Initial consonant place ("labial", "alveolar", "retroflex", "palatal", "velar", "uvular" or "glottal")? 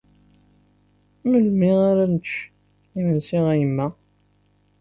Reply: labial